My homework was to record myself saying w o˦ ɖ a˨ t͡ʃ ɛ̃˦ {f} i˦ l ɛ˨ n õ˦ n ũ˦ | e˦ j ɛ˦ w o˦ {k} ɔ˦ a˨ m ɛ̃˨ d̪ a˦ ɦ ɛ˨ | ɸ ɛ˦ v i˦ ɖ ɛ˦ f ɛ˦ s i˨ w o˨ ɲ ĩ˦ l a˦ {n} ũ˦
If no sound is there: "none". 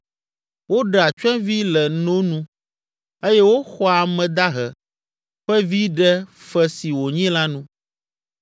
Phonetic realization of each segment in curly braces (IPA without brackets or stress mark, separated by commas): v, x, n